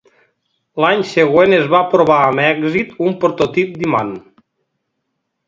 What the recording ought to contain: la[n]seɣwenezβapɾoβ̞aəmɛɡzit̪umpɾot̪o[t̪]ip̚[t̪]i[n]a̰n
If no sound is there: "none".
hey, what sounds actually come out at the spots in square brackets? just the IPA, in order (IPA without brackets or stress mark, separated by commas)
ɲ, t̪, d̪, m